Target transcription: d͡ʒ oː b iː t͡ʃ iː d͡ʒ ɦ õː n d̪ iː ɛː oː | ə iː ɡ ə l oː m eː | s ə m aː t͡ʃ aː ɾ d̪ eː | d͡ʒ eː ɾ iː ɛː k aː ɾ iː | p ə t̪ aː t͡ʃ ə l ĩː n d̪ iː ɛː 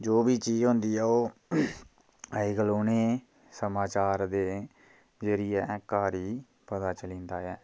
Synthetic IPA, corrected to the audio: d͡ʒ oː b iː t͡ʃ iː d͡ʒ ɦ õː n d̪ iː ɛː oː | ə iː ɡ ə l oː n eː | s ə m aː t͡ʃ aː ɾ d̪ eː | d͡ʒ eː ɾ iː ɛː k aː ɾ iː | p ə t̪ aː t͡ʃ ə l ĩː n d̪ aː ɛː

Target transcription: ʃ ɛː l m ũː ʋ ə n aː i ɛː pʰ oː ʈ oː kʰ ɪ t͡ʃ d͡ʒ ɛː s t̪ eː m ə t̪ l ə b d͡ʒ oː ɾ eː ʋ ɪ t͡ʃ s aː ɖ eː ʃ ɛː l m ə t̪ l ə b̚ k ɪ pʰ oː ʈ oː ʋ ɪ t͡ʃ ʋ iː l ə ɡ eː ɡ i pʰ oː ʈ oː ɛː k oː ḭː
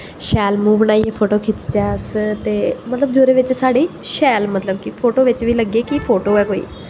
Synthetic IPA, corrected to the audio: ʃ ɛː l m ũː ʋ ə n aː i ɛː pʰ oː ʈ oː kʰ ɪ t͡ʃ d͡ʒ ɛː s t̪ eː m ə t̪ l ə b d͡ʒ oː ɾ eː ʋ ɪ t͡ʃ s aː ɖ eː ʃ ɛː l m ə t̪ l ə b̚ k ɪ pʰ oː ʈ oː ʋ ɪ t͡ʃ ʋ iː l ə ɡ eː k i pʰ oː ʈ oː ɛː k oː ḭː

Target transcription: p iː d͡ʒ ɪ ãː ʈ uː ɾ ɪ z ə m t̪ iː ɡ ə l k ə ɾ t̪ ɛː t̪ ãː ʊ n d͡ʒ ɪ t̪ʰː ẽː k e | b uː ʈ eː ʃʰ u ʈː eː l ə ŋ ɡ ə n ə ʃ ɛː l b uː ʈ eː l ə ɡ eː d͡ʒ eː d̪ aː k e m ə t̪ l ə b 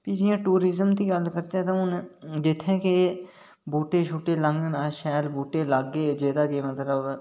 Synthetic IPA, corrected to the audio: p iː d͡ʒ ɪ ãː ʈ uː ɾ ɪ z ə m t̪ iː ɡ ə l k ə ɾ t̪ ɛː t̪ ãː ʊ n d͡ʒ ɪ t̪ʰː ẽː k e | b uː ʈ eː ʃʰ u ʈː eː l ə ŋ ɡ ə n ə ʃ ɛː l b uː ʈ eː l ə ɡ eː d͡ʒ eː d̪ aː k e m ə t̪ l ə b

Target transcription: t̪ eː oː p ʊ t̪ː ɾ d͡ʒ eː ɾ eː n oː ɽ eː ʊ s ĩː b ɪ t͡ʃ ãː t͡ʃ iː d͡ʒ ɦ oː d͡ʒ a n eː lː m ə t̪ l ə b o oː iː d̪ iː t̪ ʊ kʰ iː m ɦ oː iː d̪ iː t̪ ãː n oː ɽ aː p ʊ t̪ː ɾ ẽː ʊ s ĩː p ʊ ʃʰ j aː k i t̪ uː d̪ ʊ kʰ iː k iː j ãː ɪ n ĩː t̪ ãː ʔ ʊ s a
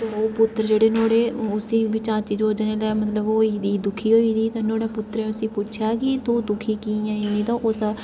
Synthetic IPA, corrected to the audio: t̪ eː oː p ʊ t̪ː ɾ d͡ʒ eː ɽ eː n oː ɽ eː ʊ s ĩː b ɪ t͡ʃ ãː t͡ʃ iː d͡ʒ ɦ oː d͡ʒ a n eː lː m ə t̪ l ə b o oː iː d̪ iː d̪ ʊ kʰ iː ɦ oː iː d̪ iː t̪ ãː n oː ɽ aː p ʊ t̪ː ɾ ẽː ʊ s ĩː p ʊ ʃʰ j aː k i t̪ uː d̪ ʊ kʰ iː k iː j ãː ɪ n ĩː t̪ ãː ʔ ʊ s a

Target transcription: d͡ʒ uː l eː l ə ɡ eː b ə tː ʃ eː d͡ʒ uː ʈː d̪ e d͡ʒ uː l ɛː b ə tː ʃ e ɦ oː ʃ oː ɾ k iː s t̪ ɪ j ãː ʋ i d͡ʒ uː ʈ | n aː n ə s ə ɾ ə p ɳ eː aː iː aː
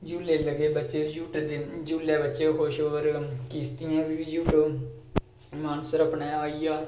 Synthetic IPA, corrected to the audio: d͡ʒ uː l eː l ə ɡ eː b ə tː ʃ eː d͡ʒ uː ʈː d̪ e d͡ʒ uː l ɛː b ə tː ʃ e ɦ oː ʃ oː ɾ k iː s t̪ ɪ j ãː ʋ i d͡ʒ uː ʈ | m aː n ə s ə ɾ ə p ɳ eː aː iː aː

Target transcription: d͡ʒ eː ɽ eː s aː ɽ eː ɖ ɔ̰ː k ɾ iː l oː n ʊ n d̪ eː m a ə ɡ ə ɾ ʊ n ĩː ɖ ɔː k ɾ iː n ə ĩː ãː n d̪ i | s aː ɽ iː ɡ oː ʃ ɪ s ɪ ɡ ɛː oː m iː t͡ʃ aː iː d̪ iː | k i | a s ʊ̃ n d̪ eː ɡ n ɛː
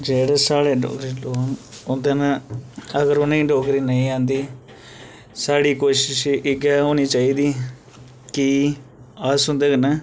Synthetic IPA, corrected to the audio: d͡ʒ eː ɽ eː s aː ɽ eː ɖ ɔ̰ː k ɾ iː l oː n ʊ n d̪ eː n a ə ɡ ə ɾ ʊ n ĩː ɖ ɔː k ɾ iː n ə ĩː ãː n d̪ iː | s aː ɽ iː k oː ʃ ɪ ʃ ɪ ɡ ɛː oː n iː t͡ʃ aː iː d̪ iː | k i | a s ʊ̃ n d̪ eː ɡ n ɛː

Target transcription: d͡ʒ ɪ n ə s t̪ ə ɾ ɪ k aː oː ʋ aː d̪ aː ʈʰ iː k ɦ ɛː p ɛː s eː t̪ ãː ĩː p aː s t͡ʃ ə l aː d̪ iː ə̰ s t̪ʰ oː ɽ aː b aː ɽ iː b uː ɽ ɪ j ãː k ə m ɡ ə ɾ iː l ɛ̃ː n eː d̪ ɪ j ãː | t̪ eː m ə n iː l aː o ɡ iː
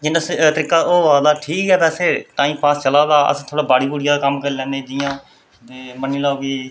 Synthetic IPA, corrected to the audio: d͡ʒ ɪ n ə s t̪ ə ɾ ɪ k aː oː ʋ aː d̪ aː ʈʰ iː k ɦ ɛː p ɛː s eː t̪ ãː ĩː p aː s t͡ʃ ə l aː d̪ aː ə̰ s t̪ʰ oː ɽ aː b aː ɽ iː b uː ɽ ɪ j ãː k ə m k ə ɾ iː l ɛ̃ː n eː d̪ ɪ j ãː | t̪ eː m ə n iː l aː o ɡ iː

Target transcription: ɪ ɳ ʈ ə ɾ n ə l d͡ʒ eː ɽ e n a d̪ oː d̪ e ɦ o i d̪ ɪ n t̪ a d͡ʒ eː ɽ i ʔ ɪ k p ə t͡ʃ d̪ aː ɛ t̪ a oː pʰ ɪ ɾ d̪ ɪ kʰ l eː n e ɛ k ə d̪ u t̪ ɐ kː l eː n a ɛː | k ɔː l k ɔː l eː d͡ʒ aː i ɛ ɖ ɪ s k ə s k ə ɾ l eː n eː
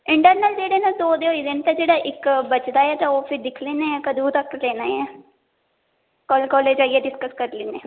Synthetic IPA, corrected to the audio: ɪ ɳ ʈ ə ɾ n ə l d͡ʒ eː ɽ e n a d̪ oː d̪ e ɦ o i d̪ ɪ n t̪ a d͡ʒ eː ɽ a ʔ ɪ k b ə t͡ʃ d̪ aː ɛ t̪ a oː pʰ ɪ ɾ d̪ ɪ kʰ l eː n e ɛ k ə d̪ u t̪ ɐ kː l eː n a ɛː | k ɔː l k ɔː l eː d͡ʒ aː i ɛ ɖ ɪ s k ə s k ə ɾ l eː n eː

